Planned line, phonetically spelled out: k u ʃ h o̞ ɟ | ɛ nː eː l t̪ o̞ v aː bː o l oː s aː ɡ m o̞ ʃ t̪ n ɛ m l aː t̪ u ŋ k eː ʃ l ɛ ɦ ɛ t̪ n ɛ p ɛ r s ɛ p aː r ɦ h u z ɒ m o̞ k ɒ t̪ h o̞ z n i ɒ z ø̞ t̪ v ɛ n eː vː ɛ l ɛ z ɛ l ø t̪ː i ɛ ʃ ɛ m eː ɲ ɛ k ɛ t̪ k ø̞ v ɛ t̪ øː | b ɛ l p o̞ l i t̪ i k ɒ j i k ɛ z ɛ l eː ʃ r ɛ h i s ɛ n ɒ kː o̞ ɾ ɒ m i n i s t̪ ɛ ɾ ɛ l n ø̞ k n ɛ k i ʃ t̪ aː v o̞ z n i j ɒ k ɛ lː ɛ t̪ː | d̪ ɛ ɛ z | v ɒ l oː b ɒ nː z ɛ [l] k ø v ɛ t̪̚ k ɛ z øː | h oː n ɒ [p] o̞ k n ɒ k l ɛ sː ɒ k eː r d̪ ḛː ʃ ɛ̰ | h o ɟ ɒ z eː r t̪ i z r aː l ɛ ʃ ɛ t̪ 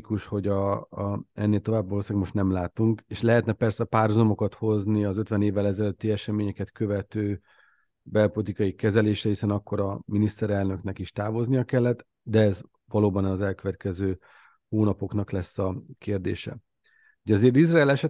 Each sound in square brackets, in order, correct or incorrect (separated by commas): correct, correct